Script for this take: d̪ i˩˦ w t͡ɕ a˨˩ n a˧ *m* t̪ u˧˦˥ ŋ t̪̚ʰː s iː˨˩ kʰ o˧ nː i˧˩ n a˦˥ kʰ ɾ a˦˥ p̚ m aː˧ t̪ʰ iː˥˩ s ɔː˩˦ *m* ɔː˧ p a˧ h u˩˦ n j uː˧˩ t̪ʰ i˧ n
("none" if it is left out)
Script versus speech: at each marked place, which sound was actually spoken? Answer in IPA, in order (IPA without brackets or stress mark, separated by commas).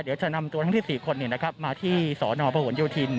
m, n